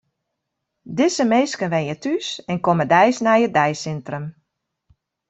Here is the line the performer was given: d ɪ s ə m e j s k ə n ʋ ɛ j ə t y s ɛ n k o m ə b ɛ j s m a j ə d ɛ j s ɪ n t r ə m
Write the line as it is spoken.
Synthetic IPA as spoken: d ɪ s ə m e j s k ə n ʋ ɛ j ə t y s ɛ n k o m ə d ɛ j s n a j ə d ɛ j s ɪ n t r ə m